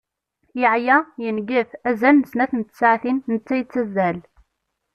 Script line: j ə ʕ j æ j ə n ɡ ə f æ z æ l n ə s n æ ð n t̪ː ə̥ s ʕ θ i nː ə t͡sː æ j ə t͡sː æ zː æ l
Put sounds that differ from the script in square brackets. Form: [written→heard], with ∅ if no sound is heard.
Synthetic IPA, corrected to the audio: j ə ʕ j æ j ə n ɡ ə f æ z æ l n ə s n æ [ð→θ] n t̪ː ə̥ s ʕ θ i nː ə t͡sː æ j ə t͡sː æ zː æ l

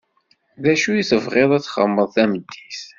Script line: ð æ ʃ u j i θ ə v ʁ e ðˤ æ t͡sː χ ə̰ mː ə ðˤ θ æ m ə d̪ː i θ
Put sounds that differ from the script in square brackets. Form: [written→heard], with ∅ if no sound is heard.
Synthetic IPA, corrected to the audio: ð æ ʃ u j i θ ə v ʁ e ðˤ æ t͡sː χ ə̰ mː ə ðˤ θ æ m ə d̪ː i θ

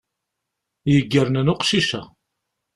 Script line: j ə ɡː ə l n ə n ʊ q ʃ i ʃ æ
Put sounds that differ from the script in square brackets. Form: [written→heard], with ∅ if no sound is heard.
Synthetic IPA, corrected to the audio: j ə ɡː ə [l→ɾ] n ə n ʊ q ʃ i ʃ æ

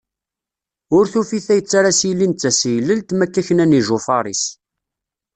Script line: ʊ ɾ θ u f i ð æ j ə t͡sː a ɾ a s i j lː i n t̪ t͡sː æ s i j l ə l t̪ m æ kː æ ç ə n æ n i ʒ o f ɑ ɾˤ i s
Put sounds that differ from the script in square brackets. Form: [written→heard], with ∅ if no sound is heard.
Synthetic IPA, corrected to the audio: ʊ ɾ θ u f i [ð→θ] æ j ə t͡sː a ɾ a s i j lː i n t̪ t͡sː æ s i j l ə l t̪ m æ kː æ ç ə n æ n i ʒ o f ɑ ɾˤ i s

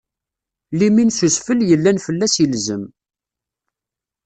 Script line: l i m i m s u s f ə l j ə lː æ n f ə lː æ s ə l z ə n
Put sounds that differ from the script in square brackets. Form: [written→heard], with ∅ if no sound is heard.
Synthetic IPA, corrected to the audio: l i m i [m→n] s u s f ə l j ə lː æ n f ə lː æ s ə l z ə [n→m]

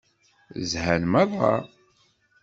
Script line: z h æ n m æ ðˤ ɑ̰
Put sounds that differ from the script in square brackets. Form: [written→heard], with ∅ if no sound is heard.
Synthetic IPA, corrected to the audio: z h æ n m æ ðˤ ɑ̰

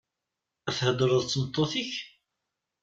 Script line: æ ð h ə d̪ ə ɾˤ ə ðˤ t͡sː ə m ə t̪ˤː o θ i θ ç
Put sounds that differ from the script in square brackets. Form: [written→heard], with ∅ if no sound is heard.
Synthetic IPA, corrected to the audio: æ [ð→θ] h ə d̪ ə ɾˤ ə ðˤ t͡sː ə m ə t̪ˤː o θ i [θ→∅] ç

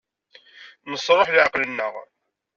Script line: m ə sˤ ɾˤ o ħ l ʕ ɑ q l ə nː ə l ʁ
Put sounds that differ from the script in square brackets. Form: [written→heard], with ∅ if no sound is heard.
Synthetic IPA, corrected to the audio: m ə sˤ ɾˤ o ħ l ʕ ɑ q l ə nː ə [l→∅] ʁ

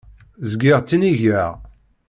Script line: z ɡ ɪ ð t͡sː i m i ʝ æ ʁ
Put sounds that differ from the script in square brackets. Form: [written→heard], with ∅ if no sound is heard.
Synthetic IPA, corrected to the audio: z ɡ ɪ [ð→ʁ] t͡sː i [m→n] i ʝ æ ʁ

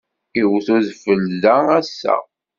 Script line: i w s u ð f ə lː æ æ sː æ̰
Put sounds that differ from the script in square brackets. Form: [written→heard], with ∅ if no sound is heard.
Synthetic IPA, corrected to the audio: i w [s→θ] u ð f ə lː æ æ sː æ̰

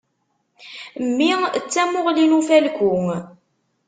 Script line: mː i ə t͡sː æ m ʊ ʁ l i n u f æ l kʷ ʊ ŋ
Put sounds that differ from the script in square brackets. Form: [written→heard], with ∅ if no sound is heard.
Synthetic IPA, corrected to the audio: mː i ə t͡sː æ m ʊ ʁ l i n u f æ l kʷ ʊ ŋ

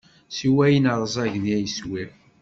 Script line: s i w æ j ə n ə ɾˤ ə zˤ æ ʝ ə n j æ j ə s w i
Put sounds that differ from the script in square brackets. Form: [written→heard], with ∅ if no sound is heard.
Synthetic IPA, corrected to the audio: s i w æ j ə n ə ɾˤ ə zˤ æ ʝ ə n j æ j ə s w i

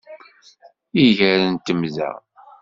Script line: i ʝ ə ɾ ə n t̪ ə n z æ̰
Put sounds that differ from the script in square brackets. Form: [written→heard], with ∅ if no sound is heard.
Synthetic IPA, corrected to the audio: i ʝ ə ɾ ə n t̪ ə [n→m] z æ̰

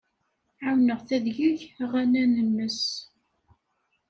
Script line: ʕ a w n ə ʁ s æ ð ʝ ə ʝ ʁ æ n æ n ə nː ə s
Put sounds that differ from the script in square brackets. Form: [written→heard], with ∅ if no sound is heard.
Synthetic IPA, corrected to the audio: ʕ a w n ə ʁ [s→θ] æ ð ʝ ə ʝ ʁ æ n æ n ə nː ə s

